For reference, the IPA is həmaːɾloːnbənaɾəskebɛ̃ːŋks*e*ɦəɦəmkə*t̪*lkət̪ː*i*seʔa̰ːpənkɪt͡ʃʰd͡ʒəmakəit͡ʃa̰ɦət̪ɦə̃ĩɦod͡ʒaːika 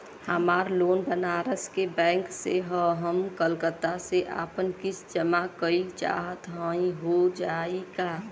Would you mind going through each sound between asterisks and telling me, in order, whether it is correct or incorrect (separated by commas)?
correct, incorrect, incorrect